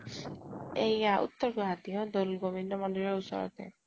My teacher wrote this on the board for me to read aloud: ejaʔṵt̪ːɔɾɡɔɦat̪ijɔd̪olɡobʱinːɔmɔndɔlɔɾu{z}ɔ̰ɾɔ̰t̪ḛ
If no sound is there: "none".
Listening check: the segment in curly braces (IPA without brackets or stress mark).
s